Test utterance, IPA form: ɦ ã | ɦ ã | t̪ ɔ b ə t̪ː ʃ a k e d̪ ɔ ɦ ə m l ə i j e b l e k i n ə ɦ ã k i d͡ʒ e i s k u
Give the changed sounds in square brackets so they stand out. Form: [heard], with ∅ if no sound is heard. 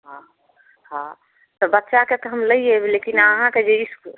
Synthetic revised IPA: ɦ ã | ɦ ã | t̪ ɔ b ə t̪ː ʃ a k e [t̪] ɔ ɦ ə m l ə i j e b l e k i n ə ɦ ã k [e] d͡ʒ e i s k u